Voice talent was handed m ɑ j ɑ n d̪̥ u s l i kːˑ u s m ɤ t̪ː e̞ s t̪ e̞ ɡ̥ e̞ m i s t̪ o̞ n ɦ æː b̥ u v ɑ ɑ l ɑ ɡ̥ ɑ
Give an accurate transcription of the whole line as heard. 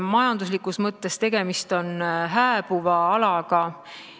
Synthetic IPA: m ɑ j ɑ n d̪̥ u s l i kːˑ u s m ɤ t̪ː e̞ s t̪ e̞ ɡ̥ e̞ m i s t̪ o̞ n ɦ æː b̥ u v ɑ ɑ l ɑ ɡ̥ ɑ